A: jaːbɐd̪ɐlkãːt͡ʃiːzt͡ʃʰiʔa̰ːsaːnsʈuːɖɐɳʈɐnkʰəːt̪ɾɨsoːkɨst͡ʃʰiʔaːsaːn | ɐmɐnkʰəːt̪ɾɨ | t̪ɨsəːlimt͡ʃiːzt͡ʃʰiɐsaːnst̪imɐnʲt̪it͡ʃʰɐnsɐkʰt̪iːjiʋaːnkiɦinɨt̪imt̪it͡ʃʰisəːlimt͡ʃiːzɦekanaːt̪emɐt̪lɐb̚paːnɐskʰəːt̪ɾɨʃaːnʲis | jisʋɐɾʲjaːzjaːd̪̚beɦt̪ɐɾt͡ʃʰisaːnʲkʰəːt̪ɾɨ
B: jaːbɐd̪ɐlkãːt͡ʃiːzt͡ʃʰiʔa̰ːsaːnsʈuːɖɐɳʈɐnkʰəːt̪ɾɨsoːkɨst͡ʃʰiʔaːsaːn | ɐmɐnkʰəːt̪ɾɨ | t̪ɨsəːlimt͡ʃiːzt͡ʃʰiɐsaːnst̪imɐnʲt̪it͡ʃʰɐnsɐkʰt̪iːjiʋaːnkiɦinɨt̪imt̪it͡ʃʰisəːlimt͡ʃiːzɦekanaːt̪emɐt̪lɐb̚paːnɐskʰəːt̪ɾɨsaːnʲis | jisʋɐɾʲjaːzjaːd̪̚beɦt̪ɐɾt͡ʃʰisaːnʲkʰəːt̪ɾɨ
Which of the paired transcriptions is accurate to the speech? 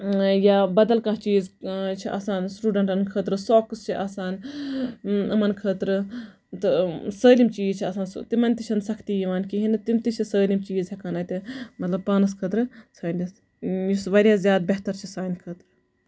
B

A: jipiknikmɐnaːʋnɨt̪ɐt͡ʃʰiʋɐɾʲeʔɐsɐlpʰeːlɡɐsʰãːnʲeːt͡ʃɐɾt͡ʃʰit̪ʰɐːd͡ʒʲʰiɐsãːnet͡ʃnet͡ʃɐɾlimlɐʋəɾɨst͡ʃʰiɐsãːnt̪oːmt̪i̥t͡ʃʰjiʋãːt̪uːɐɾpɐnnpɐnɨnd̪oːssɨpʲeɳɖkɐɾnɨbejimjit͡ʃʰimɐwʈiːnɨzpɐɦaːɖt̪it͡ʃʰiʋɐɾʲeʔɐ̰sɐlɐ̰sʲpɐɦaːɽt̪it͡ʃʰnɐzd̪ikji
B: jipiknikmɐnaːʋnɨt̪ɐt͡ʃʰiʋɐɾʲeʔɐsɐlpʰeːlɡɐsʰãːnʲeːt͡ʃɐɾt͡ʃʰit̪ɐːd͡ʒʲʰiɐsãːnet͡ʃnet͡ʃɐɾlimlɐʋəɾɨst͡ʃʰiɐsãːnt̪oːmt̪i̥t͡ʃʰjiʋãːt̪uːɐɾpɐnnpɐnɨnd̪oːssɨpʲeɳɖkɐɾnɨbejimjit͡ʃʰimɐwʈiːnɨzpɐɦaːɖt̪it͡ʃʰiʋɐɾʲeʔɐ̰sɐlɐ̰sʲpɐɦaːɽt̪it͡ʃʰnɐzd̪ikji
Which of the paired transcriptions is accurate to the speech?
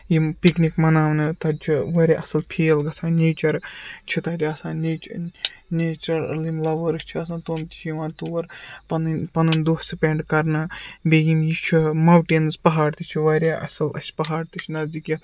B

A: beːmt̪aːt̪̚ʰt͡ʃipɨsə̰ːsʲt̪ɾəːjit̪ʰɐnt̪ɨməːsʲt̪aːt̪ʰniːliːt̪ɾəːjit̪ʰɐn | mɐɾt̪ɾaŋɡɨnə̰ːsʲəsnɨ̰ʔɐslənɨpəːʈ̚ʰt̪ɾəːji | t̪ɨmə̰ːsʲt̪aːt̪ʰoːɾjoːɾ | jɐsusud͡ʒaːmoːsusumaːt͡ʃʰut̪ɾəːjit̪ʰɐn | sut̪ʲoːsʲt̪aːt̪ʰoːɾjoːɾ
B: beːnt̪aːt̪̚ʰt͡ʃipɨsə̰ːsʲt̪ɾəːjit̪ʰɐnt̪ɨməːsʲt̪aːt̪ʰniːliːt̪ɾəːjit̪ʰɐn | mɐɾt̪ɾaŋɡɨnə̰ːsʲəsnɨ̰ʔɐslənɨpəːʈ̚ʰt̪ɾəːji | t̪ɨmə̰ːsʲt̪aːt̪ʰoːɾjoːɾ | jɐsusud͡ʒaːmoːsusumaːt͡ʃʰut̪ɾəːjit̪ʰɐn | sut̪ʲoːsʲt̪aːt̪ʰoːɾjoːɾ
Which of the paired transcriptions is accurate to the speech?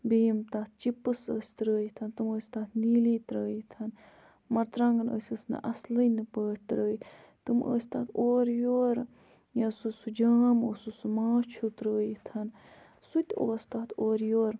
A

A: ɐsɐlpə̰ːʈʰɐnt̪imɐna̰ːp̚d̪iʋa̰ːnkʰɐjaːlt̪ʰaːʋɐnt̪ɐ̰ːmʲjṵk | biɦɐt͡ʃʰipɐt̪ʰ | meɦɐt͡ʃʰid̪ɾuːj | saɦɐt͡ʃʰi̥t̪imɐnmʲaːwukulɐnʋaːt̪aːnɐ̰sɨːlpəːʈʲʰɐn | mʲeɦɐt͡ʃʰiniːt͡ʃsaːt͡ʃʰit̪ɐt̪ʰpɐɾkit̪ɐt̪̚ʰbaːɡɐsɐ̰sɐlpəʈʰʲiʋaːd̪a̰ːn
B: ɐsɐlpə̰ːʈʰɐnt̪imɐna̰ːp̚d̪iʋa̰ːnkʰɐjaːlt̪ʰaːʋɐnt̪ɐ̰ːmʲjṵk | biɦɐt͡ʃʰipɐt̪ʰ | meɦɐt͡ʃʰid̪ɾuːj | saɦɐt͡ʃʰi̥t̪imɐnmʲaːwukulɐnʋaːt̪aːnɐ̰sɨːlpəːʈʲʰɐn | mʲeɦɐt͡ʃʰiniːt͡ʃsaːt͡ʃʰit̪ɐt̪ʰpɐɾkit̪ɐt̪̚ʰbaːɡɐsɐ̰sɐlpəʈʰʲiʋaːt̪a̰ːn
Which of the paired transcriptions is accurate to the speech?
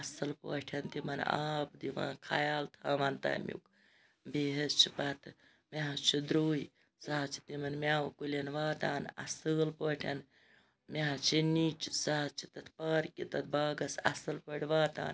B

